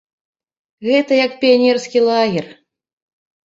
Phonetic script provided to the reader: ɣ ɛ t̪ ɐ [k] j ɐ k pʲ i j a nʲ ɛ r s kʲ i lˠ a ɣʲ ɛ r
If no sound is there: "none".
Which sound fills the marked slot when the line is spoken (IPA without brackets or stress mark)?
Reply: none